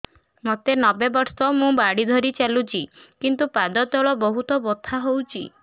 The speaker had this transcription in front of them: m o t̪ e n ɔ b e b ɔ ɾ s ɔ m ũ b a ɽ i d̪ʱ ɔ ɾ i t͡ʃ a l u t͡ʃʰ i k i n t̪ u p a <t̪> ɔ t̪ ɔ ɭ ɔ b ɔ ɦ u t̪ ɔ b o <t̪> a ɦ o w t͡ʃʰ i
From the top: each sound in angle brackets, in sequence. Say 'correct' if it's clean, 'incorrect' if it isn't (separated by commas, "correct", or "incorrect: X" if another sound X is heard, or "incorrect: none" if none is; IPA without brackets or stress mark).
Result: incorrect: d̪, incorrect: t̪ʰ